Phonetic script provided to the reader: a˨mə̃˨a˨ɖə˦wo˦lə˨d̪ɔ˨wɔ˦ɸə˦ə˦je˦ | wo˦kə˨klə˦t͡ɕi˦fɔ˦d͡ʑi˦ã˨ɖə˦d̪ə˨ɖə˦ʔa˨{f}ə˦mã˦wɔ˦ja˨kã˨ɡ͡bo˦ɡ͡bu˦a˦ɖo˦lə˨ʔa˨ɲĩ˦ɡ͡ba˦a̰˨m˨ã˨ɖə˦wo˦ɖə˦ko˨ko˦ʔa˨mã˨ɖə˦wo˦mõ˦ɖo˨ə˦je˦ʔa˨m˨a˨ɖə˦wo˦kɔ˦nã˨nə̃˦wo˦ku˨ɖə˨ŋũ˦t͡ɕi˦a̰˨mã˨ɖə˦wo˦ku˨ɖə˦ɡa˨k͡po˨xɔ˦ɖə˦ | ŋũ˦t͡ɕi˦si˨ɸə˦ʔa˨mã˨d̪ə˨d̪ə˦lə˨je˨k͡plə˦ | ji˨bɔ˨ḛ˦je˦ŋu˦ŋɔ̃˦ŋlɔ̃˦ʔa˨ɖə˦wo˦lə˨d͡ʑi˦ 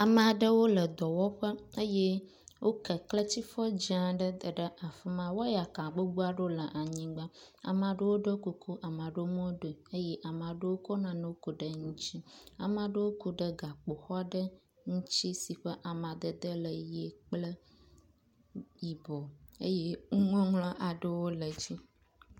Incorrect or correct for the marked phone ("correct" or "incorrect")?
correct